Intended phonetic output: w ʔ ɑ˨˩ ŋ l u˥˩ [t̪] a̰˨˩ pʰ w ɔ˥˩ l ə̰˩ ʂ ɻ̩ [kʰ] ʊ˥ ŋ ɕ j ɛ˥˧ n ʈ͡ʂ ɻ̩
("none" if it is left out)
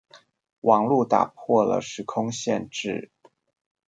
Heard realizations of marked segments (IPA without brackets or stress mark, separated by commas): t̪, kʰ